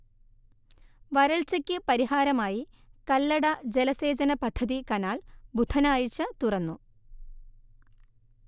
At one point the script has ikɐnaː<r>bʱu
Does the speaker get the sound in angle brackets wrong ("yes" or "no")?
yes